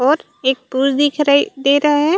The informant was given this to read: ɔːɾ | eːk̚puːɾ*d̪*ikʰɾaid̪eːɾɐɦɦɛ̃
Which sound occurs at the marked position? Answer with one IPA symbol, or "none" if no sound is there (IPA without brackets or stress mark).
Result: d̪